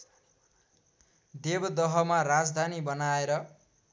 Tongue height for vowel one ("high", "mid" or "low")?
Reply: mid